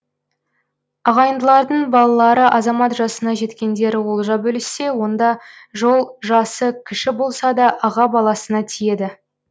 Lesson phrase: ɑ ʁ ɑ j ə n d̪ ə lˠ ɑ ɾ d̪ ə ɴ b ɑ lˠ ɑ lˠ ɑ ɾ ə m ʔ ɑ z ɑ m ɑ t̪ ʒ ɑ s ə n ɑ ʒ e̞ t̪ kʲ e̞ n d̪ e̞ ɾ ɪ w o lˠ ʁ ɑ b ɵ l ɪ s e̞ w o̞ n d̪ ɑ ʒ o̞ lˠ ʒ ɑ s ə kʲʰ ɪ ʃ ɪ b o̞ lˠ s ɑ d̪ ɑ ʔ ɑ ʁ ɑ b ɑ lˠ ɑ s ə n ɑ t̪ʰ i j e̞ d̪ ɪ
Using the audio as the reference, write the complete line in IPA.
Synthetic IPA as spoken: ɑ ʁ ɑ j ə n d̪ ə lˠ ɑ ɾ d̪ ə ɴ b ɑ lˠ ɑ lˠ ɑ ɾ ə ʔ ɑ z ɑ m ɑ t̪ ʒ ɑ s ə n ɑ ʒ e̞ t̪ kʲ e̞ n d̪ e̞ ɾ ɪ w o lˠ ʒ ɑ b ɵ l ɪ s e̞ w o̞ n d̪ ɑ ʒ o̞ lˠ ʒ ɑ s ə kʲʰ ɪ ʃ ɪ b o̞ lˠ s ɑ d̪ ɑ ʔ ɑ ʁ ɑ b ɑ lˠ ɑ s ə n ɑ t̪ʰ i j e̞ d̪ ɪ